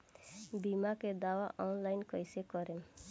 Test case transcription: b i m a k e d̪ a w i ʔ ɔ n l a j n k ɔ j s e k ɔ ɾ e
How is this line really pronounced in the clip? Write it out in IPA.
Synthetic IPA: b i m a k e d̪ a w a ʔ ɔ n l a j n k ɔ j s e k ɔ ɾ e